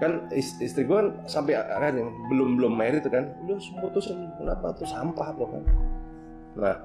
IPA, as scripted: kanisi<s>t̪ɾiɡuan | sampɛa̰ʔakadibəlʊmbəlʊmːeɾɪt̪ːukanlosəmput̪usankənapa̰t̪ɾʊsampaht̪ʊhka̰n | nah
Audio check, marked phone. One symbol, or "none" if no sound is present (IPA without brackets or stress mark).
s